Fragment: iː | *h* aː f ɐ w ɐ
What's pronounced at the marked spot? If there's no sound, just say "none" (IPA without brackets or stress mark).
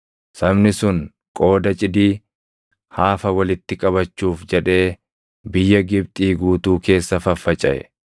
h